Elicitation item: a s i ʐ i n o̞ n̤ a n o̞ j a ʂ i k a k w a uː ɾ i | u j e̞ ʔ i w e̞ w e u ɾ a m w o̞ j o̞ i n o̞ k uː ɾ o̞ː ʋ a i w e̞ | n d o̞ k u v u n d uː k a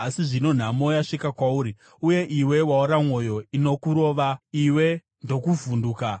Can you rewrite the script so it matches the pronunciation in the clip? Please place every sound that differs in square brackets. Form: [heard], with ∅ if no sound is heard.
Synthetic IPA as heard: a s i ʐ i n o̞ n̤ a [m] o̞ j a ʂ i k a k w a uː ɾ i | u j e̞ ʔ i w e̞ w [a] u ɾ a m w o̞ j o̞ i n o̞ k [u] ɾ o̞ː ʋ a i w e̞ | n d o̞ k u v u n d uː k a